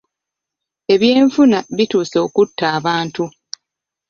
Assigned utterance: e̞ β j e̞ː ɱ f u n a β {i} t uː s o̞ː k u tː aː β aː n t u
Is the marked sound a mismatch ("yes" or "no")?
no